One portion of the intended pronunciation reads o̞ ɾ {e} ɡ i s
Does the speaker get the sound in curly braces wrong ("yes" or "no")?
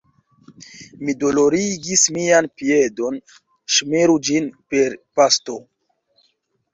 yes